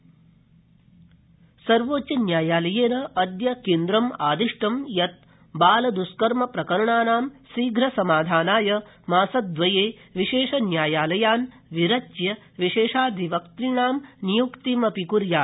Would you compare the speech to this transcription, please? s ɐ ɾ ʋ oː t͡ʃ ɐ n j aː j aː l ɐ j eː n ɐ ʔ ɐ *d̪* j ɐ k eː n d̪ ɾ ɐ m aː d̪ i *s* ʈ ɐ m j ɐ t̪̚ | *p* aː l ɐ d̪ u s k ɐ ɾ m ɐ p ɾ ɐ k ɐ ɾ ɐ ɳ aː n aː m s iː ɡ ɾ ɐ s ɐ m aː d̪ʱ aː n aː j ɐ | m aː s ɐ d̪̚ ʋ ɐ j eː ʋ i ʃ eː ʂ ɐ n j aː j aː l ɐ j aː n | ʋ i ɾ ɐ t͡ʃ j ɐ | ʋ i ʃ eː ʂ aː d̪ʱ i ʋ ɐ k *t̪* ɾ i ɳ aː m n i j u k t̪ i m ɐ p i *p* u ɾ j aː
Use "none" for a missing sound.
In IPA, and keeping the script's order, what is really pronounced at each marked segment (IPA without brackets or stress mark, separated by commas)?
d̪, ʂ, b, t̪, k